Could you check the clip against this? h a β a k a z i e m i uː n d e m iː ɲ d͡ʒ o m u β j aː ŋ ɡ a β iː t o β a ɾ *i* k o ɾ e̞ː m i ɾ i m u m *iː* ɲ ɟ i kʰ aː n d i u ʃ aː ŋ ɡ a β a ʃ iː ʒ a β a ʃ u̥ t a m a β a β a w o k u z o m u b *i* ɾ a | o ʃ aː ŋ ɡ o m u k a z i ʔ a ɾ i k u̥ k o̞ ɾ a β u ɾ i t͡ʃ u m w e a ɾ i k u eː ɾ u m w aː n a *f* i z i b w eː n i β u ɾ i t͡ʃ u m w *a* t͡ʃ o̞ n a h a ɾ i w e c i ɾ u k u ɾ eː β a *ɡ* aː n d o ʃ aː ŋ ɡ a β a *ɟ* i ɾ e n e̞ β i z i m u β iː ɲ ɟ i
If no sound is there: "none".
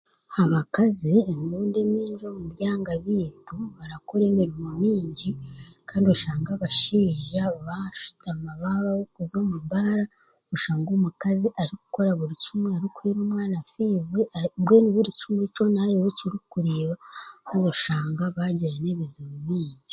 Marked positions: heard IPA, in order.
a, iː, a, f, e, k, ɟ

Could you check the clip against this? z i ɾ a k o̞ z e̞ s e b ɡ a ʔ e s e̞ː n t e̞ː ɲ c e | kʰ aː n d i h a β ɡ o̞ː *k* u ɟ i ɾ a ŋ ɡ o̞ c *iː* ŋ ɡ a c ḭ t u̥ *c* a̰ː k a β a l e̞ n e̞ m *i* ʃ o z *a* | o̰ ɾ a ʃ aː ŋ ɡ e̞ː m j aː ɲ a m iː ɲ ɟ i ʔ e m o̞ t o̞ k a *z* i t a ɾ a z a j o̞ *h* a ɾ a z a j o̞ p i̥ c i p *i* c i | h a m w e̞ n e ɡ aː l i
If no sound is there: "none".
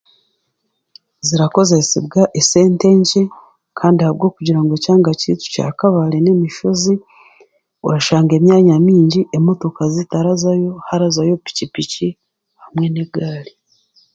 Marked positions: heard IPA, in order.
k, aː, c, i, i, z, h, i

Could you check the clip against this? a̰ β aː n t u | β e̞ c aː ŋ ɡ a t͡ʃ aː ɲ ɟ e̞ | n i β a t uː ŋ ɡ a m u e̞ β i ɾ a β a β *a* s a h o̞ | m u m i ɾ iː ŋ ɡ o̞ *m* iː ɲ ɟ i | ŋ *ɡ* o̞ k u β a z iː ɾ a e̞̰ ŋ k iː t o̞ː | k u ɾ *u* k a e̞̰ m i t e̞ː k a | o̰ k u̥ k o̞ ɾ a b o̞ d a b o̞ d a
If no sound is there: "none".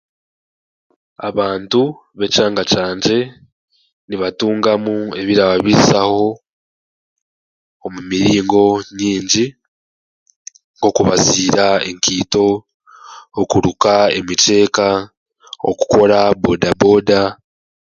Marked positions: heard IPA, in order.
i, ɲ, ɡ, u

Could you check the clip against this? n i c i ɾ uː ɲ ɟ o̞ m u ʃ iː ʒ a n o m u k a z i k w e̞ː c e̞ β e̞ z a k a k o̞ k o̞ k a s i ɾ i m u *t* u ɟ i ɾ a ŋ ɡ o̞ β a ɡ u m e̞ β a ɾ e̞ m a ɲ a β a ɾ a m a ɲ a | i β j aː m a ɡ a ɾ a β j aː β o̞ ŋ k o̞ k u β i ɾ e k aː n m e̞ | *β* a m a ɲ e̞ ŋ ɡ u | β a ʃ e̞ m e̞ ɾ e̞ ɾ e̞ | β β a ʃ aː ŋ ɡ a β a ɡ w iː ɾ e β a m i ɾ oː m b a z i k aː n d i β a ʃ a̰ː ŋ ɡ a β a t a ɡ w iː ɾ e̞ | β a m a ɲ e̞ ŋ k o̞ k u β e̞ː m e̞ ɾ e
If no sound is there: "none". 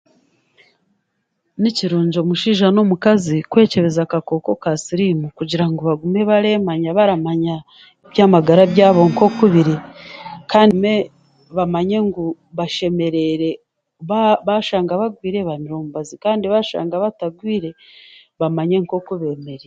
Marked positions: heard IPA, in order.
k, β

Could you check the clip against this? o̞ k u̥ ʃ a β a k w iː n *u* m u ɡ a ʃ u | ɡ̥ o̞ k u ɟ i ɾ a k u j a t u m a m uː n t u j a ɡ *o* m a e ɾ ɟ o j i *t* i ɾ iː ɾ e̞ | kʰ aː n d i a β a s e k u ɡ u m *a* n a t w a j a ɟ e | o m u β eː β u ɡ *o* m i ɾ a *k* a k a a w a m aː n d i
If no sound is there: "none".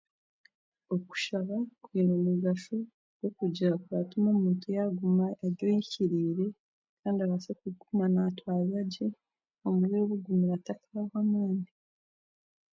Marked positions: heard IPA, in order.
o, u, c, a, u, t

